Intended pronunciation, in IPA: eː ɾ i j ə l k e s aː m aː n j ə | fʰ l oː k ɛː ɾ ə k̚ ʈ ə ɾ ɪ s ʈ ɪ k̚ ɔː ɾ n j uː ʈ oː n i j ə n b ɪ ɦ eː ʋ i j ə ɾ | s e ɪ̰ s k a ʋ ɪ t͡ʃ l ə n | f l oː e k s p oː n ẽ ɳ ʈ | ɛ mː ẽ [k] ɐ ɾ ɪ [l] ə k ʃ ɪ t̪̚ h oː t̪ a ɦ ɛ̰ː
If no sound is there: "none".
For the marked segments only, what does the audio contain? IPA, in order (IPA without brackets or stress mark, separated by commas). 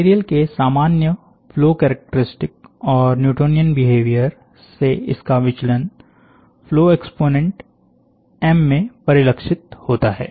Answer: p, l